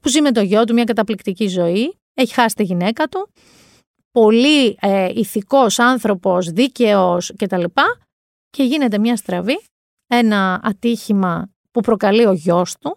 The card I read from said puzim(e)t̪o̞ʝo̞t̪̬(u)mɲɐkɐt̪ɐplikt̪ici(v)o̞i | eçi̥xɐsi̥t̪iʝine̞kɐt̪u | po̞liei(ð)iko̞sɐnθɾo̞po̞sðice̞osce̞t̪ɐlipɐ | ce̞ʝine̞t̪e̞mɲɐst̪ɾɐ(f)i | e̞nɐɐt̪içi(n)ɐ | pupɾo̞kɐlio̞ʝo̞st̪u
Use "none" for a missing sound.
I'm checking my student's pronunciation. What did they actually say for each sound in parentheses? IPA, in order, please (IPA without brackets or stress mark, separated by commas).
e, u, z, θ, v, m